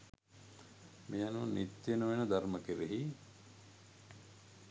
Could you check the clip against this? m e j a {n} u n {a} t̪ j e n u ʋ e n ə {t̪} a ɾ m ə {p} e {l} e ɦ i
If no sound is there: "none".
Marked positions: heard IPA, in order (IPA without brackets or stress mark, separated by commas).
n, i, d̪, k, ɾ